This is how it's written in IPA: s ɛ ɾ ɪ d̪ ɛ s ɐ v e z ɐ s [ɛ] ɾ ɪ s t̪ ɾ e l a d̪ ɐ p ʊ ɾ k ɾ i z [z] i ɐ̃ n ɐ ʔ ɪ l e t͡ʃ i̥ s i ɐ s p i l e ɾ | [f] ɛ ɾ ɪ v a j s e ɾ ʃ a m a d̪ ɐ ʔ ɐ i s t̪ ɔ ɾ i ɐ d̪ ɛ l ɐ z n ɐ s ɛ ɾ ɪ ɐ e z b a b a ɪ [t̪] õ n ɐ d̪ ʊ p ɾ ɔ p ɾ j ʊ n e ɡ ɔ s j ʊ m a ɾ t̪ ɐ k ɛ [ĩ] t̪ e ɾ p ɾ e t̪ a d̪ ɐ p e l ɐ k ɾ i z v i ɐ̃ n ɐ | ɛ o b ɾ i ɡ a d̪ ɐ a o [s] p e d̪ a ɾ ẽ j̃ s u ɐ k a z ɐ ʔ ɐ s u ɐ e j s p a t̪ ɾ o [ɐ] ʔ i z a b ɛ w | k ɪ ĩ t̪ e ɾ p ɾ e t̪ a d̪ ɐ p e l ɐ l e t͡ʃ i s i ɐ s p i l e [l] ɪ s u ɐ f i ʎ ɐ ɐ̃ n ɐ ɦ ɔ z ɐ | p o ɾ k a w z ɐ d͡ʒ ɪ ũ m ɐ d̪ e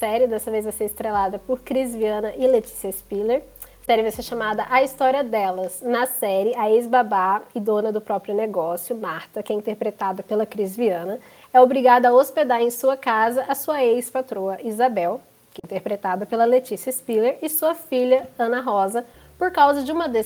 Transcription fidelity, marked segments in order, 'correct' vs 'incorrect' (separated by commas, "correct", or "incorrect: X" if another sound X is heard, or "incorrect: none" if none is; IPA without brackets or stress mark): incorrect: e, incorrect: v, incorrect: s, incorrect: d̪, correct, correct, correct, incorrect: ɾ